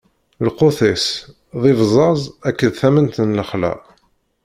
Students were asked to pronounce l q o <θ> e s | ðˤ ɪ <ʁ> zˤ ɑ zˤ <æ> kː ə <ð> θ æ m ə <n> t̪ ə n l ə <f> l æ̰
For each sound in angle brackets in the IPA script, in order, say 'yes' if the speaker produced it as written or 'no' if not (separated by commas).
yes, no, yes, yes, yes, no